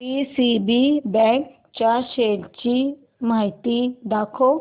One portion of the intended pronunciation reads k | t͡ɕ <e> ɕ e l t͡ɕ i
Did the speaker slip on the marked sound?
yes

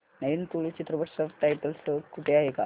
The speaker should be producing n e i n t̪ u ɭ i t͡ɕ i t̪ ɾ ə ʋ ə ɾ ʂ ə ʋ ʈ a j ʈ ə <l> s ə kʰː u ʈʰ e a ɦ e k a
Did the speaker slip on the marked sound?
no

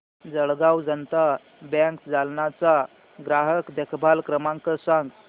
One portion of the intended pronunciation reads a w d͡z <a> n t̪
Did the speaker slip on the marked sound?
yes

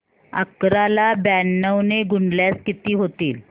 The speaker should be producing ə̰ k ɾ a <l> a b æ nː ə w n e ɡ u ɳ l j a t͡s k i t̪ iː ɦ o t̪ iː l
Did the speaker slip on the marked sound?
no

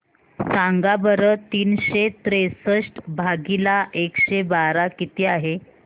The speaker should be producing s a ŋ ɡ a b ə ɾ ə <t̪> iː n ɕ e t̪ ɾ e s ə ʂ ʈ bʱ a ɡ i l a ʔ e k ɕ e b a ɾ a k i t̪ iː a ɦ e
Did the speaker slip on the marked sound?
no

